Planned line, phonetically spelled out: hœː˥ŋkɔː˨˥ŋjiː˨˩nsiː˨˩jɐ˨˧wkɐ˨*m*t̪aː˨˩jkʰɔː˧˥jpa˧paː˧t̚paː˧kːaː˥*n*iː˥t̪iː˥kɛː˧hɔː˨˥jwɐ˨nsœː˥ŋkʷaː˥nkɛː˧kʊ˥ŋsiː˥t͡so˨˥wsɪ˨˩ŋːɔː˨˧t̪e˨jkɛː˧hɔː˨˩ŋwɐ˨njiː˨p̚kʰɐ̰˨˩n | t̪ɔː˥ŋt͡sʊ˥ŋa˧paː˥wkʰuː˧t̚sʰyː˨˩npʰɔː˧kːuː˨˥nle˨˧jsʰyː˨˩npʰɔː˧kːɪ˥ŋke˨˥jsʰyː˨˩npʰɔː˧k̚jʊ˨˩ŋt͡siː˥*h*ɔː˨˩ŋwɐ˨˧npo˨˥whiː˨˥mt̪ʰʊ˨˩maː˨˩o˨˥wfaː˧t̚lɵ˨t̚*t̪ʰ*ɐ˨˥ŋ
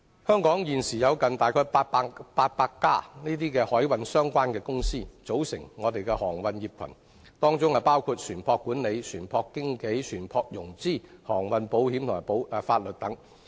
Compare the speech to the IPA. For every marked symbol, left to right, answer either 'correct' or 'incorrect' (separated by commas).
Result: incorrect, correct, correct, incorrect